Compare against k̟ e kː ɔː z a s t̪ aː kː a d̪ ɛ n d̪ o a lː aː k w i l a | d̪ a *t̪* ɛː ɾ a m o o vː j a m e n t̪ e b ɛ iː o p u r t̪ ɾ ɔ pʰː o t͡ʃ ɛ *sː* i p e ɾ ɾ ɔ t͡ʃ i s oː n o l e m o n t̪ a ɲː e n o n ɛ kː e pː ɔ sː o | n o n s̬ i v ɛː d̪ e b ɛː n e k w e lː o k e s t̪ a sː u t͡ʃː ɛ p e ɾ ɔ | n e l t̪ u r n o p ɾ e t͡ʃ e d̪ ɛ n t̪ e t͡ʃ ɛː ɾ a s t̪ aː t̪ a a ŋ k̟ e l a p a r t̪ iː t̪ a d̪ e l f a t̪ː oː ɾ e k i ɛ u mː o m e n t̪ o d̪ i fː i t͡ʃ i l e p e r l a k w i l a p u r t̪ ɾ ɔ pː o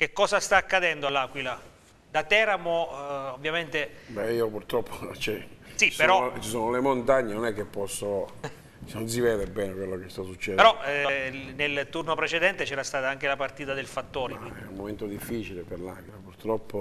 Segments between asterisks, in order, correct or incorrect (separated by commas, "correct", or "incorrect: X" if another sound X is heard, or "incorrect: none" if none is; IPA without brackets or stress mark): correct, incorrect: s